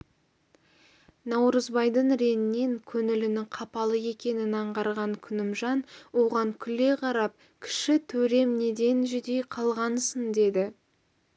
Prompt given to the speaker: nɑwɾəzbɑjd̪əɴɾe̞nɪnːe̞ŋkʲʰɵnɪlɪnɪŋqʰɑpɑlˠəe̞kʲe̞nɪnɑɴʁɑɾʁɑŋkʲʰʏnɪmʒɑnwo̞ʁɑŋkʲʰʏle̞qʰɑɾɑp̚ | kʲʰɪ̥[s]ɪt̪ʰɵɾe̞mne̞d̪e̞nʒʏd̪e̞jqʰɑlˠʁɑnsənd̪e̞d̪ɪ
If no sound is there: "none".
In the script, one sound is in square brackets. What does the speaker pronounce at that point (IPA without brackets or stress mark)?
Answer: ʃ